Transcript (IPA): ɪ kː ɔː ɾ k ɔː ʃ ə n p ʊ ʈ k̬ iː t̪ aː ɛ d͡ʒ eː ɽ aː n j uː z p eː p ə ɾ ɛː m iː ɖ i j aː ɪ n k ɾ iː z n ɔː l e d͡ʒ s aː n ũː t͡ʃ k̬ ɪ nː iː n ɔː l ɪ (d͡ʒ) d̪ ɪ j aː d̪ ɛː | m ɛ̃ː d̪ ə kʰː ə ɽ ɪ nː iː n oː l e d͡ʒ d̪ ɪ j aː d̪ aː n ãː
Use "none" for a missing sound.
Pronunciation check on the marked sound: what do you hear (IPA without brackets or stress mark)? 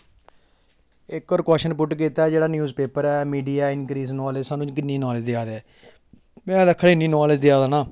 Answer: d͡ʒ